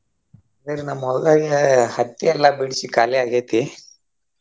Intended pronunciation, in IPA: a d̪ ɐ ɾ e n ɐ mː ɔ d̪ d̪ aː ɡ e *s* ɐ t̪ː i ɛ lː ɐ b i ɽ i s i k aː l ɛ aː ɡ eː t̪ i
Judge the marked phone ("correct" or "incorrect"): incorrect